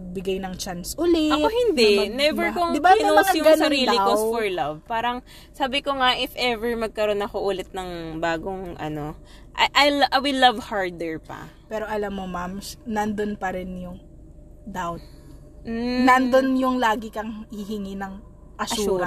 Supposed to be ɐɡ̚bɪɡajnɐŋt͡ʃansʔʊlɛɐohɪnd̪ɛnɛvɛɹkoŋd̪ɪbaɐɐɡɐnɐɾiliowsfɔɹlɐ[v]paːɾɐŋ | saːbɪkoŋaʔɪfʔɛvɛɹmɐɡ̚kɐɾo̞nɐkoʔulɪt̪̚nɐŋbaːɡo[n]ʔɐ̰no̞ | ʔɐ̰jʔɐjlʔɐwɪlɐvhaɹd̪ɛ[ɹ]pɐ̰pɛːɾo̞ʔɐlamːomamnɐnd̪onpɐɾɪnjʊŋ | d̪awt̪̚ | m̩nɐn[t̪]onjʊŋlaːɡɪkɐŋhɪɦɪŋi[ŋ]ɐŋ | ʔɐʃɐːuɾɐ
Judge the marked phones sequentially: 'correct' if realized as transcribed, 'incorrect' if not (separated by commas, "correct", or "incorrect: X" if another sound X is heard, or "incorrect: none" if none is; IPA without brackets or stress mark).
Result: correct, incorrect: ŋ, correct, incorrect: d̪, incorrect: n